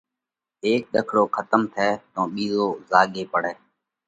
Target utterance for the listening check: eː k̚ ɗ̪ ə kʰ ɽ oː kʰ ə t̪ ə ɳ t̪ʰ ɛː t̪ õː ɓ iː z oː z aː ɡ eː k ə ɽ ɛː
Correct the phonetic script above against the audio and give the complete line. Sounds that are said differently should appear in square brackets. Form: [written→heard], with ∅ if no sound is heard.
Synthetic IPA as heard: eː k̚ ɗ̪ ə kʰ ɽ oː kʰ ə t̪ ə [ɳ→m] t̪ʰ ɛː t̪ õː ɓ iː z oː z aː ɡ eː [k→p] ə ɽ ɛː